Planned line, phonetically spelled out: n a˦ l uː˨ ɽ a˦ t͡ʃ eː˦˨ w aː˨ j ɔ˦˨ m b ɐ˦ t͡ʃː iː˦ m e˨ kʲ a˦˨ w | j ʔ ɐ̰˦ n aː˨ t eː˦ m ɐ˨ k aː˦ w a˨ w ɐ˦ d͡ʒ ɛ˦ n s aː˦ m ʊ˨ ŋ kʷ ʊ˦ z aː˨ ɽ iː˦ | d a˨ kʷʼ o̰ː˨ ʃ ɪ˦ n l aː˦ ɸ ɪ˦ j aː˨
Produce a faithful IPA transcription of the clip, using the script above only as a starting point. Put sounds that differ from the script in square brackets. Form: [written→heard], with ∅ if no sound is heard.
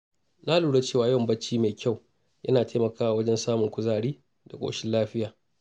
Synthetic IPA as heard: n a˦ l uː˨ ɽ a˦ t͡ʃ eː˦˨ w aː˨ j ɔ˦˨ m b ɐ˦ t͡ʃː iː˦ m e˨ kʲ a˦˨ w | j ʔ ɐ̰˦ n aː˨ t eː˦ m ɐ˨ k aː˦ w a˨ w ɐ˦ d͡ʒ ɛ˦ n s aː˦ m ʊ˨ ŋ kʷ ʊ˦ z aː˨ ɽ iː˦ | d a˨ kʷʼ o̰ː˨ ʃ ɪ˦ n l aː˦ ɸ ɪ˦ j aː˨